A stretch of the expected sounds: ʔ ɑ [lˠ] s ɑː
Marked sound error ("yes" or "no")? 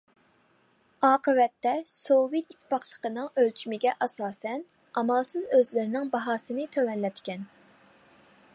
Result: yes